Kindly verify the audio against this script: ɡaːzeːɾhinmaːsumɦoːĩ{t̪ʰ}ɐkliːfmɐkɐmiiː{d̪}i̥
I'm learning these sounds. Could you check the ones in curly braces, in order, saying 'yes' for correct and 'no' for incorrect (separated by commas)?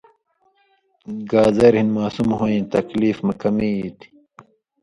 no, no